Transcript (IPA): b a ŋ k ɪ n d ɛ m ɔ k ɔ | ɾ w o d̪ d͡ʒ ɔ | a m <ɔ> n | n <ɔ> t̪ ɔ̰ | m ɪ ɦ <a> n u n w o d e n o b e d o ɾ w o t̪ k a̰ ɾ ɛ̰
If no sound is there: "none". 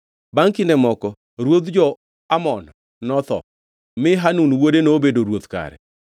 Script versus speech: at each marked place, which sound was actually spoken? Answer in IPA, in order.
ɔ, ɔ, a

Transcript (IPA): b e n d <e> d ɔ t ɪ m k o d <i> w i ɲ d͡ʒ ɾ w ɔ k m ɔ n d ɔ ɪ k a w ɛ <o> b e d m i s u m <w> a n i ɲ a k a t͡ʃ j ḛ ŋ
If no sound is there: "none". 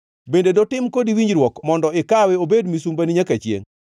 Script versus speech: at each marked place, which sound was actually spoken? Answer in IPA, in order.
e, i, o, b

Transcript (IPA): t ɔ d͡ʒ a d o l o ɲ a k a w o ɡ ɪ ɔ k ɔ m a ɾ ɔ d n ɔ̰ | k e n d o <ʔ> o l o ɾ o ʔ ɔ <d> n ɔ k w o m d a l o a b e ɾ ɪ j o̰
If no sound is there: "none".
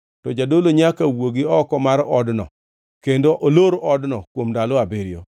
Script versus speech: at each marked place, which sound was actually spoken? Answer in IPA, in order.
ʔ, d

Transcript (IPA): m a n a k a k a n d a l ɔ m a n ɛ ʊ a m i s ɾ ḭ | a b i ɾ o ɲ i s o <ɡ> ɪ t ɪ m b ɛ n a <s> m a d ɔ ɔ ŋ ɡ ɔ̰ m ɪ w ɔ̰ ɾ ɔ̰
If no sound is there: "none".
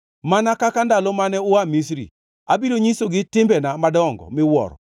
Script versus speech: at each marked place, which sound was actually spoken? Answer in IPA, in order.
ɡ, none

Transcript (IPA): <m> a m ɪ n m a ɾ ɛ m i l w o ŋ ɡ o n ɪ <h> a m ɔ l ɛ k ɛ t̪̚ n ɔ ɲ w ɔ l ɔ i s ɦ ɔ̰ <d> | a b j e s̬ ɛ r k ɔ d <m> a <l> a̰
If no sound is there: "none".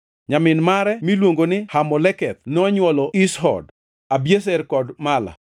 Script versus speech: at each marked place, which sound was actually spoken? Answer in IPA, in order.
ɲ, h, d, m, l

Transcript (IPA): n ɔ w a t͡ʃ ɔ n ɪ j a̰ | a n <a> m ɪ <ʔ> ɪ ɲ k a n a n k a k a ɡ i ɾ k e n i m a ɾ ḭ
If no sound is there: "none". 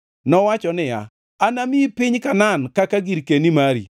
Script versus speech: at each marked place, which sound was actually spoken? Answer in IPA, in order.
a, p

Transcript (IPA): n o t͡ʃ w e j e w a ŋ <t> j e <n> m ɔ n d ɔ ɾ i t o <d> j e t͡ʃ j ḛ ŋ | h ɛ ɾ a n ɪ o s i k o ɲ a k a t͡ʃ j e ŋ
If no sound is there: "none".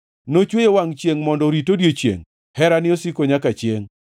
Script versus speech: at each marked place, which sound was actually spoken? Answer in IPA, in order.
t͡ʃ, ŋ, d

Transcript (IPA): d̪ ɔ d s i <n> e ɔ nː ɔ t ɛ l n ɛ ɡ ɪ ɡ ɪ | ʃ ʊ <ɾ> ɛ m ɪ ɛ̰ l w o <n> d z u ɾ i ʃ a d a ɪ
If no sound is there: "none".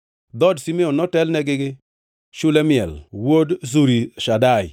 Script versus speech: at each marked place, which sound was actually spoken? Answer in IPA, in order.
m, l, none

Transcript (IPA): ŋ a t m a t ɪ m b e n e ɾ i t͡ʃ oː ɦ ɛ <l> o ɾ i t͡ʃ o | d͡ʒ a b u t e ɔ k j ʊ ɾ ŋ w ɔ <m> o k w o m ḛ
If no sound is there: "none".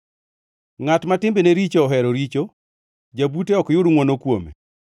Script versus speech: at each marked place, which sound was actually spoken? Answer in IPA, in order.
ɾ, n

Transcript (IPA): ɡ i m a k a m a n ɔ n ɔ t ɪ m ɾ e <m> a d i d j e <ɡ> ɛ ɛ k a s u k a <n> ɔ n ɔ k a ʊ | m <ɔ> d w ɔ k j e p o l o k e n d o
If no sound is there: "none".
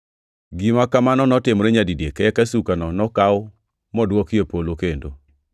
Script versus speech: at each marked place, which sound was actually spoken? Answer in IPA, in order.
ɲ, k, n, ɔ

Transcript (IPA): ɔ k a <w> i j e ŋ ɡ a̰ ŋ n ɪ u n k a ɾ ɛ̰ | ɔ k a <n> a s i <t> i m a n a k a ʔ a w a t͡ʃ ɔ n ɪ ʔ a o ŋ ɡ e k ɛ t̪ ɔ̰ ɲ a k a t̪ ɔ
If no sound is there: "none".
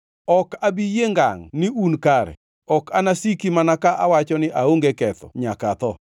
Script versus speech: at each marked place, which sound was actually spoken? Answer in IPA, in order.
b, n, k

